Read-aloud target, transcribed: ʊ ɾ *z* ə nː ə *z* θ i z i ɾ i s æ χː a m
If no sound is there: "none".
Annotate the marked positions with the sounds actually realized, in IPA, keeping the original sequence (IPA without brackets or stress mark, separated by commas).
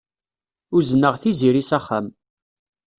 z, ʁ